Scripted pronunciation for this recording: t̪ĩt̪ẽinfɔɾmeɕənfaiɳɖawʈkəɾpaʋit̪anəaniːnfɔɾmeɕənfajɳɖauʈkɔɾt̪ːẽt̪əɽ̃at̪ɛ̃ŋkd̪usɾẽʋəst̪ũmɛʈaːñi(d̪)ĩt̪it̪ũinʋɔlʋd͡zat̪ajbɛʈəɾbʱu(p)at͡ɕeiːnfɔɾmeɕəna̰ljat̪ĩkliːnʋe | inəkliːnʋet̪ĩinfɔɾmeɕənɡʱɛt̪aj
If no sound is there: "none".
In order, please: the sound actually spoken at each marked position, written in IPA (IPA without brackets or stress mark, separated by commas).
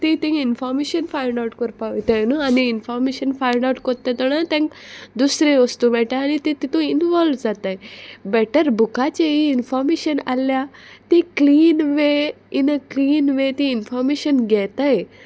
t̪, k